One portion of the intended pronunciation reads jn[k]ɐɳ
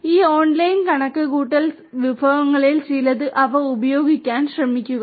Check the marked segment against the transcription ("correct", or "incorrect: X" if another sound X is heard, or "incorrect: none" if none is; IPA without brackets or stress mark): correct